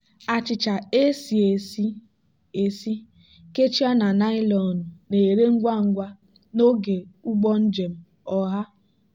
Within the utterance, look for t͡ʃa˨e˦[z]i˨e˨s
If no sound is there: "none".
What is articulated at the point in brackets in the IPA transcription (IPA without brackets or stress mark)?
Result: s